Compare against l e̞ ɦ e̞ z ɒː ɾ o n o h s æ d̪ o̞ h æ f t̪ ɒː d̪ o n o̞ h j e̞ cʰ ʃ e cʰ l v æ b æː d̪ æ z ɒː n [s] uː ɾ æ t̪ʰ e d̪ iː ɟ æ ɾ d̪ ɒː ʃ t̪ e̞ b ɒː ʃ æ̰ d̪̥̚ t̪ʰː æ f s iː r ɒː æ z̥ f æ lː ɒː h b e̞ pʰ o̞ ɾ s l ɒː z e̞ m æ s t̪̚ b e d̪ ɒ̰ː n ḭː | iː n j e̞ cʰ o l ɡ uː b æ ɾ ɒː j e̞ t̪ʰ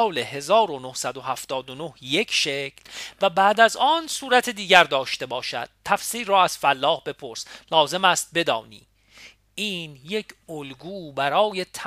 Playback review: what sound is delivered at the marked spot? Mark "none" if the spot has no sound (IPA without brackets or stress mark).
s